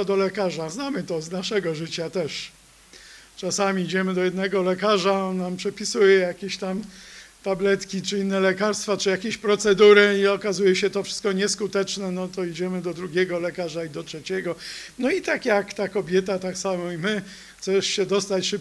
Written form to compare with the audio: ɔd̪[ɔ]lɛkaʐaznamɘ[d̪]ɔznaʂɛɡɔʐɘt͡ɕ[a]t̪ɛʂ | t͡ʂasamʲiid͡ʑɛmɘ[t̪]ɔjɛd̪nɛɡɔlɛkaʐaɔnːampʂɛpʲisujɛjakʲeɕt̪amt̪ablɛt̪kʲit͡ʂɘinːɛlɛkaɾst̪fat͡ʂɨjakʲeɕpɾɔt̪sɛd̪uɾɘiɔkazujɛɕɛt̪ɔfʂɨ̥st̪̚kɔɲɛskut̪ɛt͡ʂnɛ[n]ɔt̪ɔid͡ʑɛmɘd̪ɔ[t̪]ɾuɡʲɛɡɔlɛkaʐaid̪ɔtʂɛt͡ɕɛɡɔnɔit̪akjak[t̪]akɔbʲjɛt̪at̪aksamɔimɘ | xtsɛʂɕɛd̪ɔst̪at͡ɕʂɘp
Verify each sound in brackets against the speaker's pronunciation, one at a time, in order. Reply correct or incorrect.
correct, incorrect, correct, incorrect, correct, incorrect, correct

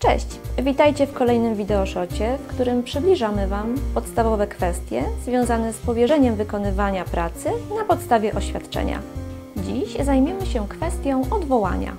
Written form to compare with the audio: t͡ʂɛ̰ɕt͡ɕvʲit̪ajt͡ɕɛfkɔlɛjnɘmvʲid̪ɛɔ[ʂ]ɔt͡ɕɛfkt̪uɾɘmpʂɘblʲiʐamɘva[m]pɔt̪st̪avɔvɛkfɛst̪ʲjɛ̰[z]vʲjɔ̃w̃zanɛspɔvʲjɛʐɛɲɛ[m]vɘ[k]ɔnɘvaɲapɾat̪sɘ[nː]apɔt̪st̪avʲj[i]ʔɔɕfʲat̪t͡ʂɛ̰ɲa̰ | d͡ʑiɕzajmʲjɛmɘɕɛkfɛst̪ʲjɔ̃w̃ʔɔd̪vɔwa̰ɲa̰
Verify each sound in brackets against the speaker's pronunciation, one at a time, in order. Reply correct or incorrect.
correct, correct, correct, correct, correct, incorrect, incorrect

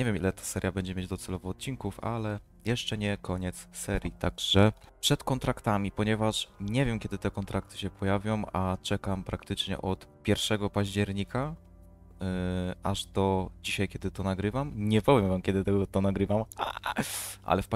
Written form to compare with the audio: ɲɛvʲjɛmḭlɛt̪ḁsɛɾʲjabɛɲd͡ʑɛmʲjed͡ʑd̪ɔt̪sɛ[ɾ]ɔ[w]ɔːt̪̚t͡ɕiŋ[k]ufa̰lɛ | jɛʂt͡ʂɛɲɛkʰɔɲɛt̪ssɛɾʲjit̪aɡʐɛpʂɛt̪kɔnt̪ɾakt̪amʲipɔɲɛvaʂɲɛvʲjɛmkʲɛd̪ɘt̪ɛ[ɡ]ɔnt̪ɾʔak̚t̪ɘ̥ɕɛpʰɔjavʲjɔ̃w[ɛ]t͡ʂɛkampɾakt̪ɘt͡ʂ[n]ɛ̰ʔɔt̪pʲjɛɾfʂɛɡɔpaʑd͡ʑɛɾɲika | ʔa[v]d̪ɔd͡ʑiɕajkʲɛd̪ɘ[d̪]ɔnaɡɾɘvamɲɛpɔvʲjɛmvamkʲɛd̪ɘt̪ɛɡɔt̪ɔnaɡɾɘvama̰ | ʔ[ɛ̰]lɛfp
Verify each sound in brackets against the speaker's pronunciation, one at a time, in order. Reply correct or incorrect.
incorrect, incorrect, correct, incorrect, incorrect, incorrect, incorrect, incorrect, incorrect

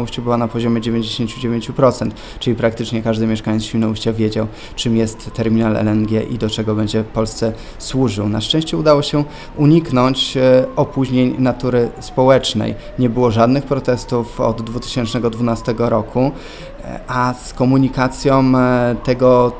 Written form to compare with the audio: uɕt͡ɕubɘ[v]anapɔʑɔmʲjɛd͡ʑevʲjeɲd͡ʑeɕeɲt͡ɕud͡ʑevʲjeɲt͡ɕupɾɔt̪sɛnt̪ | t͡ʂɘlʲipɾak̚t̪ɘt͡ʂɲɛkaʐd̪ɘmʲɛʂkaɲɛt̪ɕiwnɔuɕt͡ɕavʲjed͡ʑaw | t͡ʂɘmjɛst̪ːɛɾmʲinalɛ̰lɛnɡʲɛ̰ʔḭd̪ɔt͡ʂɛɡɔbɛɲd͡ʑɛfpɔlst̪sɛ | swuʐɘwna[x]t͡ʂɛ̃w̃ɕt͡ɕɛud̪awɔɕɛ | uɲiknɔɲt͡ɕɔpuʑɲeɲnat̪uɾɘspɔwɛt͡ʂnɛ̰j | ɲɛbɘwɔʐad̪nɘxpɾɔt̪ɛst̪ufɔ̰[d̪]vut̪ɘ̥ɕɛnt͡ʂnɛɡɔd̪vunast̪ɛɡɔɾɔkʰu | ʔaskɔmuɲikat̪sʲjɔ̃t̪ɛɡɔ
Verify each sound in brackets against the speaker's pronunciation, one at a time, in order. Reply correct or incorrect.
incorrect, incorrect, incorrect

